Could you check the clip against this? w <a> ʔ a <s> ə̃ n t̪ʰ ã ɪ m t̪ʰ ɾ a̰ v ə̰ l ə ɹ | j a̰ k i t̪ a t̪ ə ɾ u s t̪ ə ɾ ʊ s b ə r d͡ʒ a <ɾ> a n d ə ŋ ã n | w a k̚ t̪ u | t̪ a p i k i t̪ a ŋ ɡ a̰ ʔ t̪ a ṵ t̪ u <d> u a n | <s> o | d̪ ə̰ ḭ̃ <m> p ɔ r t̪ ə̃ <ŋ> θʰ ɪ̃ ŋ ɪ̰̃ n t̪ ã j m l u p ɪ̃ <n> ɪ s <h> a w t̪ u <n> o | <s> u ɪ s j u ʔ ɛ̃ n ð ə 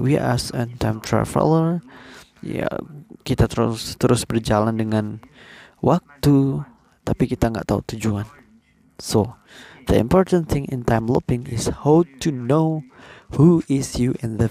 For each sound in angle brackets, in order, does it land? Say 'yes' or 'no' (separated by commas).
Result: no, yes, no, no, yes, yes, no, no, yes, yes, no